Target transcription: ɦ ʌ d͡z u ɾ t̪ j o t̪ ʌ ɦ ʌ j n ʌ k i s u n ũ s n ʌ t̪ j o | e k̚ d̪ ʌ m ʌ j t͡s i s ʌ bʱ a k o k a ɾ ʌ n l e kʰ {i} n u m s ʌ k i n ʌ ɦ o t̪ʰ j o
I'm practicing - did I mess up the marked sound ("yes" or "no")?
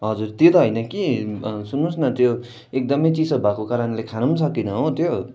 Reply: yes